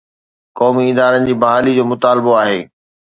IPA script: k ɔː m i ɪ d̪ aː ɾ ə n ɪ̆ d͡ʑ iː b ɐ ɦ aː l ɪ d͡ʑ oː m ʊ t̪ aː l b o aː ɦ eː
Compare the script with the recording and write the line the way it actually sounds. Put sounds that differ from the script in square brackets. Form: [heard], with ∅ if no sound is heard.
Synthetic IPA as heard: k ɔː m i ɪ d̪ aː ɾ ə n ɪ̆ d͡ʑ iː b ɐ ɦ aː l [i] d͡ʑ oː m ʊ t̪ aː l b o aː ɦ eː

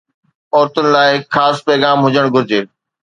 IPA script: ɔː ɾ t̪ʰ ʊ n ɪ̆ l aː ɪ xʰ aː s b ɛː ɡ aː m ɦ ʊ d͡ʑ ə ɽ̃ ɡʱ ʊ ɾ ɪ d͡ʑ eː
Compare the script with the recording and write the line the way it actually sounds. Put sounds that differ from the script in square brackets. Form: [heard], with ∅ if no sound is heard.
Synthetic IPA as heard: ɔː ɾ [t̪] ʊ n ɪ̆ l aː ɪ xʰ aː s [p] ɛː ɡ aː m ɦ ʊ d͡ʑ ə ɽ̃ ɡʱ ʊ ɾ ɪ d͡ʑ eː

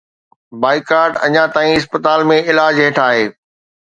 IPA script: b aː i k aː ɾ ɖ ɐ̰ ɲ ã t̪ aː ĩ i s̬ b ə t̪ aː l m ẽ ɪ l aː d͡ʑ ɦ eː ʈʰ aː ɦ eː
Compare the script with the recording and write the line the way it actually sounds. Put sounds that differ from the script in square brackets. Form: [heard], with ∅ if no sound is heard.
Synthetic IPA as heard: b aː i k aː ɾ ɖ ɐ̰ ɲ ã t̪ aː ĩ [ɪ] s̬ [p] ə t̪ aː l m ẽ ɪ l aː d͡ʑ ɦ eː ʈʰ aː ɦ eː

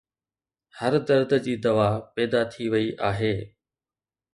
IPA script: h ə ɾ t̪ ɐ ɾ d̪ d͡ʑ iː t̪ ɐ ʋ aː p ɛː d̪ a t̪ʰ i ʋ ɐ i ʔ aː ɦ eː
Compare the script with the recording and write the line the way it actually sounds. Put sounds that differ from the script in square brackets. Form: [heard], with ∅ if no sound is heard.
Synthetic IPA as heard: h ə ɾ [d̪] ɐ ɾ d̪ d͡ʑ iː [d̪] ɐ ʋ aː p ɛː d̪ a t̪ʰ i ʋ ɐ i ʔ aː ɦ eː

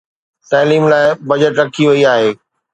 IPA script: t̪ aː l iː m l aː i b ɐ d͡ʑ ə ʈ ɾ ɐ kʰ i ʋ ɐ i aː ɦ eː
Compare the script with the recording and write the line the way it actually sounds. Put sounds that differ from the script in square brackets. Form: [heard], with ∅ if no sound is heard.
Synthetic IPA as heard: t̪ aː l iː m l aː [ɪ] b ɐ d͡ʑ ə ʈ ɾ ɐ kʰ i ʋ ɐ i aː ɦ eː

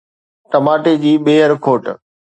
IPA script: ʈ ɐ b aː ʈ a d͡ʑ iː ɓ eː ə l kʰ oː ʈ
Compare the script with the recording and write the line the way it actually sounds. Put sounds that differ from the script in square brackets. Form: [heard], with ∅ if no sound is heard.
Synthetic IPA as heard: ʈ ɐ [m] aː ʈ [e] d͡ʑ iː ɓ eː ə [ɾ] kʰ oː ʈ

